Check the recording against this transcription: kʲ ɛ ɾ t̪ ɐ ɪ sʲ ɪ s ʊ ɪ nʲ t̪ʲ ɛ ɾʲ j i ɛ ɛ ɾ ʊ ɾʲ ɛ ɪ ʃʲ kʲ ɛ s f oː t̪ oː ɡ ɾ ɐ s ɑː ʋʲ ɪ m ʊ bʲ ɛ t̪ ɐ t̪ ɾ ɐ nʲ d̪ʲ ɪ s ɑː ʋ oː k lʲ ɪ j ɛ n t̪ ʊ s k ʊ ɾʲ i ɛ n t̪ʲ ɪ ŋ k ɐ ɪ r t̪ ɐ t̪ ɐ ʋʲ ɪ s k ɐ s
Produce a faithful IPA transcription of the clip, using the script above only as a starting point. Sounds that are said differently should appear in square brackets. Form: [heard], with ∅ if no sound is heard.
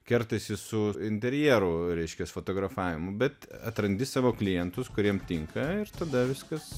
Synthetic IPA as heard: kʲ ɛ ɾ t̪ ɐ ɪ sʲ ɪ s ʊ ɪ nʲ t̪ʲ ɛ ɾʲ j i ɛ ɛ ɾ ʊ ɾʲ ɛ ɪ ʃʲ kʲ ɛ s f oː t̪ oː ɡ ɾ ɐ [f] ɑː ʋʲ ɪ m ʊ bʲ ɛ t̪ ɐ t̪ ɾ ɐ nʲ d̪ʲ ɪ s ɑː ʋ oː k lʲ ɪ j ɛ n t̪ ʊ s k ʊ ɾʲ i ɛ [m] t̪ʲ ɪ ŋ k ɐ ɪ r t̪ ɐ [d̪] ɐ ʋʲ ɪ s k ɐ s